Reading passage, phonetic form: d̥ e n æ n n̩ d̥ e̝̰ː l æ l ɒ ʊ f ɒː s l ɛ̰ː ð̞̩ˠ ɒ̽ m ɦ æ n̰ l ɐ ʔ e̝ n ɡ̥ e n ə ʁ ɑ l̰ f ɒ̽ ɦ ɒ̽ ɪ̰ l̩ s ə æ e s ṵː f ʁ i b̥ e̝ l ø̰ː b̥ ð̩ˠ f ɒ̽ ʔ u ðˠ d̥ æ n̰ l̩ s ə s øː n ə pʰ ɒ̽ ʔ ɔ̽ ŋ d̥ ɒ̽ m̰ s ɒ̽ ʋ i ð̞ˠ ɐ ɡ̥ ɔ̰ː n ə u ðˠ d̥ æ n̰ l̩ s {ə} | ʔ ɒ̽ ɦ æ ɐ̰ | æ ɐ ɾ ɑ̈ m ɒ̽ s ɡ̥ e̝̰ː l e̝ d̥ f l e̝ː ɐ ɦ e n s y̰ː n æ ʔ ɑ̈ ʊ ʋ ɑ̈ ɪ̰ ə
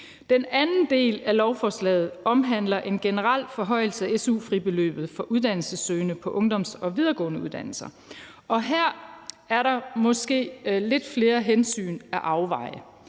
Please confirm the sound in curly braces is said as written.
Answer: no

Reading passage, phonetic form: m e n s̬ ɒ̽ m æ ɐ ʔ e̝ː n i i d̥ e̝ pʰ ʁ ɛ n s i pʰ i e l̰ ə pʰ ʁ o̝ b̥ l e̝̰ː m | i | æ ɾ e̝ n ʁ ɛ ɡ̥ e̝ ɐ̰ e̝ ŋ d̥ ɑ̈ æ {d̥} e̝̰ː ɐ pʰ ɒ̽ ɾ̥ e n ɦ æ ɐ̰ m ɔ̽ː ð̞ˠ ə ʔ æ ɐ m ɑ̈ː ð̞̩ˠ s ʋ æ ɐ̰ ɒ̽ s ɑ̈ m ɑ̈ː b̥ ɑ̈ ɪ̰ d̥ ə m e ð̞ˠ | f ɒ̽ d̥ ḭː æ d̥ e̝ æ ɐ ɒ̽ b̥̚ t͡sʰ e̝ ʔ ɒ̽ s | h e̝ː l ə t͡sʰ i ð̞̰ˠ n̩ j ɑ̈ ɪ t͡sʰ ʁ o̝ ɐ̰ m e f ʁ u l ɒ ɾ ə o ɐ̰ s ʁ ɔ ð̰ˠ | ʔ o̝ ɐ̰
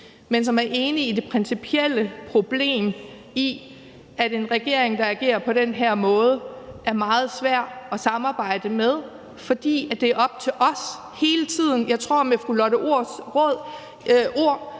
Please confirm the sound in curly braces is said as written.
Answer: no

